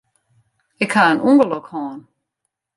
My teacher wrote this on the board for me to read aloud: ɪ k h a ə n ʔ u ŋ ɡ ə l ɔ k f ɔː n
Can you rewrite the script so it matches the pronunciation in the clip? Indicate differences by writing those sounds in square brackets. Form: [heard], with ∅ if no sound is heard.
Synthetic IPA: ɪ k h a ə n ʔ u ŋ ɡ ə l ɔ k [h] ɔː n